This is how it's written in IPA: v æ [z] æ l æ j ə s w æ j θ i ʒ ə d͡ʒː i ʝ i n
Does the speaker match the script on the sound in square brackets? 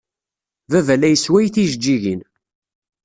no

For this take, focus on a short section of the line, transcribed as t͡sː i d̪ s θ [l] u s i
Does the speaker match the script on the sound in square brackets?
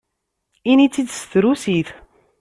no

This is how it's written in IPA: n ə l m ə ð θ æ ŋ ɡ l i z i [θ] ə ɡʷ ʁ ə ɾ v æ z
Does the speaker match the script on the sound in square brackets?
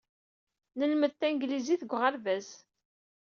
yes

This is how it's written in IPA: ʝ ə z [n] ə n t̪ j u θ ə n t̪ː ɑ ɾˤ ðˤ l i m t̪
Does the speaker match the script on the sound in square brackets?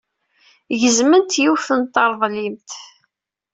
no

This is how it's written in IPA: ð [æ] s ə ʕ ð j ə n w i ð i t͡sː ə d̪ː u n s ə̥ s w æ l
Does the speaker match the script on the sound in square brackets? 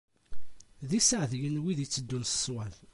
no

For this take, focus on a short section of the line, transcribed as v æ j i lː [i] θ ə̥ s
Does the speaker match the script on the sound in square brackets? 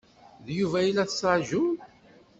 no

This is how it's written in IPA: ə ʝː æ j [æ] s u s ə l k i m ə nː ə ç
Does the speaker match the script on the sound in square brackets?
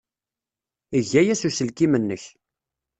yes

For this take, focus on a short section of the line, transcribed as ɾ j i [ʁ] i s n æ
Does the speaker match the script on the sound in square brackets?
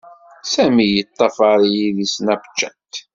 no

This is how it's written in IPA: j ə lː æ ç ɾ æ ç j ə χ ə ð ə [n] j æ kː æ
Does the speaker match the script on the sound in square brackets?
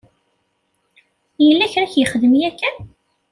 no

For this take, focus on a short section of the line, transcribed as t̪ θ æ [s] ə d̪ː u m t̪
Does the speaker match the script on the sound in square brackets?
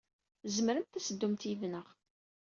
yes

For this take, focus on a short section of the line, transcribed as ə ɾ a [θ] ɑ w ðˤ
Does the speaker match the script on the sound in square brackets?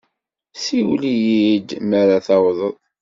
yes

